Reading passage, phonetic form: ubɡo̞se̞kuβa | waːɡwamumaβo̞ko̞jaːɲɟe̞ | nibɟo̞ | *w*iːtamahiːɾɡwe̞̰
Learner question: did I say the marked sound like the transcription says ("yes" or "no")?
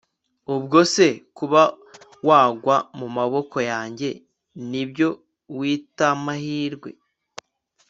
yes